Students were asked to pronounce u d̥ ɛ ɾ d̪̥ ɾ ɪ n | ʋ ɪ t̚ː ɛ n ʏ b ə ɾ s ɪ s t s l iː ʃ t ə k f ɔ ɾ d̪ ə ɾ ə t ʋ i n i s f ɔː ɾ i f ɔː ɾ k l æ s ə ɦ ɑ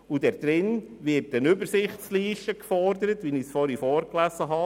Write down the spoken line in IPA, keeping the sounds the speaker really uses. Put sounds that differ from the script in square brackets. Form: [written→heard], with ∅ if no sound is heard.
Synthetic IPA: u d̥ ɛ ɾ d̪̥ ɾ ɪ n | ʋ ɪ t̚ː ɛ n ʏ b ə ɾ s ɪ [s→χ] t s l iː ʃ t ə k f ɔ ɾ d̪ ə ɾ ə t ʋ i n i s f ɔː ɾ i f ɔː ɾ k l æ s ə ɦ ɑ